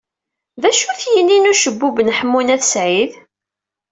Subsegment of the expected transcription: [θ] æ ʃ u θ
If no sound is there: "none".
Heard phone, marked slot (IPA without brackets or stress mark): ð